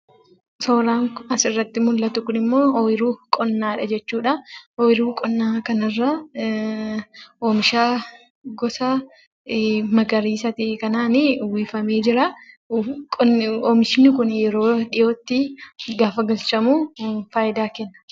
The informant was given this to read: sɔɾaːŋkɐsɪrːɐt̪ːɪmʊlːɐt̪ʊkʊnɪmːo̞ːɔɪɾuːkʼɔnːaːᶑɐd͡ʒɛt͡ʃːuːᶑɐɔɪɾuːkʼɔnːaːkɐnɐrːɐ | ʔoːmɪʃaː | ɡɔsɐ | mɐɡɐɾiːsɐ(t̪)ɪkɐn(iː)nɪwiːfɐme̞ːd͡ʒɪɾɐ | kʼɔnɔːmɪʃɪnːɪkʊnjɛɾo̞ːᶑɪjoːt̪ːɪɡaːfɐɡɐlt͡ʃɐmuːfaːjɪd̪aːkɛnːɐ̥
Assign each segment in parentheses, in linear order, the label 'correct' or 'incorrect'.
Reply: correct, incorrect

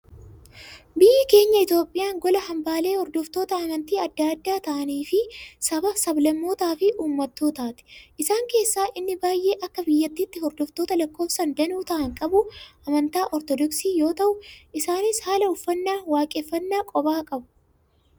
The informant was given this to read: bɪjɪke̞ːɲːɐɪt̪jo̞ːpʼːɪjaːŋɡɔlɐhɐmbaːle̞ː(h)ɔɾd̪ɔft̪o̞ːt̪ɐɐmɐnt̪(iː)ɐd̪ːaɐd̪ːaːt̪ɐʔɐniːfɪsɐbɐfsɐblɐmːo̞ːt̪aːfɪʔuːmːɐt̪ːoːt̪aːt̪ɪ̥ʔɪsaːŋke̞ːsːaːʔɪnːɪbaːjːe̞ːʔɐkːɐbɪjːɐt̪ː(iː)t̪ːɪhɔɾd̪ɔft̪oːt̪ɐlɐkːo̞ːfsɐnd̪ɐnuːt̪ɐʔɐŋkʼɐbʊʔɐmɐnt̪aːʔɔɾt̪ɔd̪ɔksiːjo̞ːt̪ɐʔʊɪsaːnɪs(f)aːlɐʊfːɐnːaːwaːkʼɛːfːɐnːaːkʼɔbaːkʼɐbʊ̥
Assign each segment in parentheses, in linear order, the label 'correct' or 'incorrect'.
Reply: correct, correct, correct, incorrect

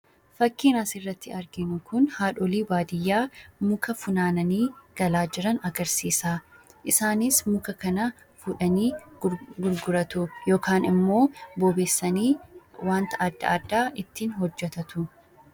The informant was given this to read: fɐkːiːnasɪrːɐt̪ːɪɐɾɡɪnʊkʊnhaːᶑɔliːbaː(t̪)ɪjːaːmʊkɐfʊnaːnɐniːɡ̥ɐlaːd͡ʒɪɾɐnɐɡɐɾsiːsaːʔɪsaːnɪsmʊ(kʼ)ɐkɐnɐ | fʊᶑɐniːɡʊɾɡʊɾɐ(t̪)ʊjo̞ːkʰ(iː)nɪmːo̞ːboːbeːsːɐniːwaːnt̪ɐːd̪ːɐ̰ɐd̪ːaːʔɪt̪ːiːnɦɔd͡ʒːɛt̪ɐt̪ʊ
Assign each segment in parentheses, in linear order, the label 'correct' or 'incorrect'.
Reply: incorrect, incorrect, correct, incorrect

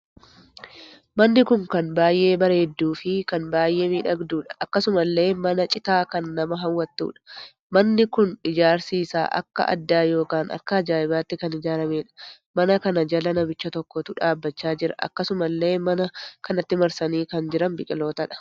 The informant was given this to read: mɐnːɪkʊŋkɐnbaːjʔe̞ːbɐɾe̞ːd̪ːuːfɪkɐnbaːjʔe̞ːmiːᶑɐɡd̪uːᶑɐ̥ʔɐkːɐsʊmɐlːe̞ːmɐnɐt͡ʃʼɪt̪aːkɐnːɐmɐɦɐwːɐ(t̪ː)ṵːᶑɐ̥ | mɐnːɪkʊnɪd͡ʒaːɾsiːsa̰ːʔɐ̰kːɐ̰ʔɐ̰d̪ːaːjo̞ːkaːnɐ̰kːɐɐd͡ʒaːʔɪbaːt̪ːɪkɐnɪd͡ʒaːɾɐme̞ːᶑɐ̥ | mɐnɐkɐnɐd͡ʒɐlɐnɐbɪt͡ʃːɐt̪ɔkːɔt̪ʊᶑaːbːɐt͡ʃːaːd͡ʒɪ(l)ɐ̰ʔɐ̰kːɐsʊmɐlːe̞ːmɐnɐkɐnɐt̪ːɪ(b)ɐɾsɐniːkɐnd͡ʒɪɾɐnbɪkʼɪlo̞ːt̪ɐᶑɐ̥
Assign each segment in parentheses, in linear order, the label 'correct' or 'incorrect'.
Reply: correct, incorrect, incorrect

